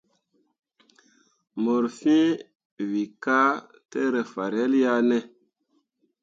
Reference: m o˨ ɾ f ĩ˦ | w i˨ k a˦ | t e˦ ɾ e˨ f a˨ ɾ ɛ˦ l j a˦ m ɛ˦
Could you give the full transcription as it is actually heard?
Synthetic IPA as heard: m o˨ ɾ f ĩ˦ | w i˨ k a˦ | t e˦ ɾ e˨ f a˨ ɾ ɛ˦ l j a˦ n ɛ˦